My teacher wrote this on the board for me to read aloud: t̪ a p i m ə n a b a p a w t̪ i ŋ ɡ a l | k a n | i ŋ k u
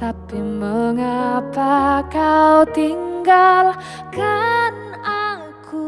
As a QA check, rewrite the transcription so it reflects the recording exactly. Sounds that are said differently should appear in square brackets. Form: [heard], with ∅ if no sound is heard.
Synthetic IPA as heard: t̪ a p i m ə [ŋ] a [p] a [k] a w t̪ i ŋ ɡ a l | k a n | [a] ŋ k u